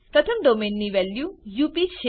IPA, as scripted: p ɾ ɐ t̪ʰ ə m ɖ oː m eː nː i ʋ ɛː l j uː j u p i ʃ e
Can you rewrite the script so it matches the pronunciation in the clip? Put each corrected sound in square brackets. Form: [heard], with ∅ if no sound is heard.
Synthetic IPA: p ɾ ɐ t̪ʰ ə m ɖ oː m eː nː i ʋ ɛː l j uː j u p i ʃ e